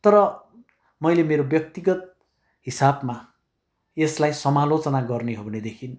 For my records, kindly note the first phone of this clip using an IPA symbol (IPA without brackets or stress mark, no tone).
t̪